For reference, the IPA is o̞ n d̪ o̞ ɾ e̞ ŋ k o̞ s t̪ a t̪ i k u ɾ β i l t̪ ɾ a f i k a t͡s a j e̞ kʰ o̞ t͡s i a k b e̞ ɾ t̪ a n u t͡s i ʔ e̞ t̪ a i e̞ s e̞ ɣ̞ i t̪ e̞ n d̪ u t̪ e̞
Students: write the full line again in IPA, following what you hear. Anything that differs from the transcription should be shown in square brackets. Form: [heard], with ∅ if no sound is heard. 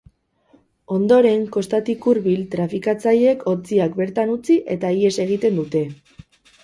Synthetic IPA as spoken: o̞ n d̪ o̞ ɾ e̞ ŋ k o̞ s t̪ a t̪ i k u ɾ β i l t̪ ɾ a f i k a t͡s a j e̞ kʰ o̞ t͡s i a k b e̞ ɾ t̪ a n u t͡s i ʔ e̞ t̪ a i e̞ s e̞ ɣ̞ i t̪ e̞ n d̪ u t̪ e̞